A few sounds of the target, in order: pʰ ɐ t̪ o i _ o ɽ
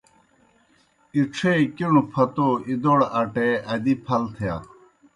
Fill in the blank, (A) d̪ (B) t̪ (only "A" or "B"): A